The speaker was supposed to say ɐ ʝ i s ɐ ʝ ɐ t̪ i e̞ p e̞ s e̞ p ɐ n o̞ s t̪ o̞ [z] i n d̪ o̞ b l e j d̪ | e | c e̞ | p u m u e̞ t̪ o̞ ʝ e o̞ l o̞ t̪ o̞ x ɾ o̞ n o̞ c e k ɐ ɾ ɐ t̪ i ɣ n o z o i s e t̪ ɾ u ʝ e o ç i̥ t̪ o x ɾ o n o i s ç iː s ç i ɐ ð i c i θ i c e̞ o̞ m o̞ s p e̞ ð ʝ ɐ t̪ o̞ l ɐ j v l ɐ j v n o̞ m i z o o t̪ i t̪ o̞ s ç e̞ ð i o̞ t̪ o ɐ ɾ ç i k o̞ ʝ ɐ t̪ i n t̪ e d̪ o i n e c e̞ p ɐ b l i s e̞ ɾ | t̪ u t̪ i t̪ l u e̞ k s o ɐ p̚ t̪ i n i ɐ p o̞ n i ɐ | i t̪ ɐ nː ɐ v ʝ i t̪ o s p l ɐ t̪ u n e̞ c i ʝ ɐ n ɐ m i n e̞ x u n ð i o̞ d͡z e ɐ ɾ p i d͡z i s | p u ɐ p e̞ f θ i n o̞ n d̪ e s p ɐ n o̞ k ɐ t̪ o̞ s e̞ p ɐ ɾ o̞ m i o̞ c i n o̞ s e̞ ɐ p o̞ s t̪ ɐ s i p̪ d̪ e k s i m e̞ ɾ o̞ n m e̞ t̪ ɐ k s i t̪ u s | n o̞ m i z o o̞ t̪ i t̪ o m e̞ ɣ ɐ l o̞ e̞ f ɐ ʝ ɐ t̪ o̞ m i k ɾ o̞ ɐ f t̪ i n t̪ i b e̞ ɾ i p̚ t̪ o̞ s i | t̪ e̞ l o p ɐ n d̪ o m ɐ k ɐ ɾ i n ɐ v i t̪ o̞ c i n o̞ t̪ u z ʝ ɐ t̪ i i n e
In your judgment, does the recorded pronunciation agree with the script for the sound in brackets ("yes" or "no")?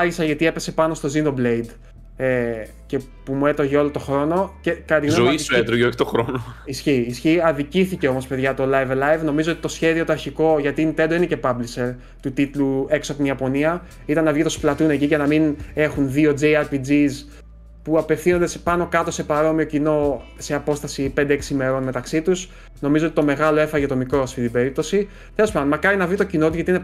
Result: yes